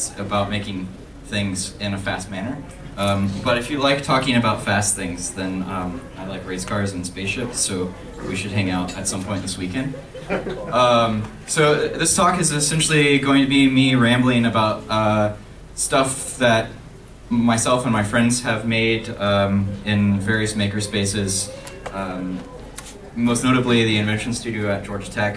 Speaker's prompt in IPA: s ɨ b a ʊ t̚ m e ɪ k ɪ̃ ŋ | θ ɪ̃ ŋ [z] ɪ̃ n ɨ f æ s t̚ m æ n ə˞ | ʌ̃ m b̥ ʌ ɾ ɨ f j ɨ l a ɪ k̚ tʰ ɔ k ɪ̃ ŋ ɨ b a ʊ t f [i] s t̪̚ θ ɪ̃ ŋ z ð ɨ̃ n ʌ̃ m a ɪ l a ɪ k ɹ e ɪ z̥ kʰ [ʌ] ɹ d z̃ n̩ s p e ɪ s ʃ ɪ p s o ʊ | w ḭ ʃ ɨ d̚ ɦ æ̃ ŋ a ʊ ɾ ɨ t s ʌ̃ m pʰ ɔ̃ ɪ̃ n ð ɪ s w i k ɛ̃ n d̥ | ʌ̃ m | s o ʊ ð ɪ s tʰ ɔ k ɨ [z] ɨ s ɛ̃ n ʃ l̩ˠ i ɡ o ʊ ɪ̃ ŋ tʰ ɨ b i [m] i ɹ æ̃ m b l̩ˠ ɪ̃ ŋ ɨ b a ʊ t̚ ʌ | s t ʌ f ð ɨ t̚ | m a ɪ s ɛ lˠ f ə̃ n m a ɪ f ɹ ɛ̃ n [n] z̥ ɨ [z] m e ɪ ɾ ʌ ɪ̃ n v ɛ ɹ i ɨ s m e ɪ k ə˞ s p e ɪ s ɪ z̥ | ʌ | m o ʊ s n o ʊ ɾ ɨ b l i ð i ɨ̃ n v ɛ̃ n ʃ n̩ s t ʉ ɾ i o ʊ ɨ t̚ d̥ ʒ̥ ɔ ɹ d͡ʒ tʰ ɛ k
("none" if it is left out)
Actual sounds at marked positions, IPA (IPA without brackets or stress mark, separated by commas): z, æ, ɑ, z, m, d, v